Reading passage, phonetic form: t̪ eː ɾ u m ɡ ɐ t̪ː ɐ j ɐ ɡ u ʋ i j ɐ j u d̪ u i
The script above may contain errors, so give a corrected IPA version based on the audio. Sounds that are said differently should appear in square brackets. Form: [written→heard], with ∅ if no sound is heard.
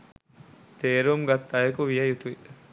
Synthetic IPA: t̪ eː ɾ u m ɡ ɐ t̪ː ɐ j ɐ [ɡ→k] u ʋ i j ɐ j u [d̪→t̪] u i